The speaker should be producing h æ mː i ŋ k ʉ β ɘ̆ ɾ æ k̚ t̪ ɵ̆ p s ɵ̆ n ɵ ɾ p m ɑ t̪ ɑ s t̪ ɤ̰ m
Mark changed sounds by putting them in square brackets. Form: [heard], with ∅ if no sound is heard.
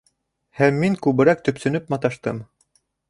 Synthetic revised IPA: h æ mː i ŋ k ʉ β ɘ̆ ɾ æ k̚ t̪ ɵ̆ p s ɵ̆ n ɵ [∅] p m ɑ t̪ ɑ [ʃ] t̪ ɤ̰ m